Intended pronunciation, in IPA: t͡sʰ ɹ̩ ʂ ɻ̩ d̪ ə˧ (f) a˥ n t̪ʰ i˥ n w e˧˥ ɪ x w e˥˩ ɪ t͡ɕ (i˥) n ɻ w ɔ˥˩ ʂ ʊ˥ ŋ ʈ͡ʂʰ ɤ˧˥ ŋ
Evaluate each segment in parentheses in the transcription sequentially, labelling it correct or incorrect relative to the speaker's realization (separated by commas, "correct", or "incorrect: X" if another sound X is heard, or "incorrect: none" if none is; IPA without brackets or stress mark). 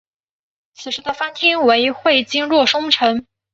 correct, correct